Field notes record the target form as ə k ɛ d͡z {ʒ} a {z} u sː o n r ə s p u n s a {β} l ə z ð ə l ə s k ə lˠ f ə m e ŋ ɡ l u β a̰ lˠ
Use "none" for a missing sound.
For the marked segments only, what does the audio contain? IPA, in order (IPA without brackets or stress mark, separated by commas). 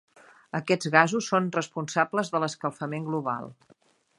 ɣ, z, b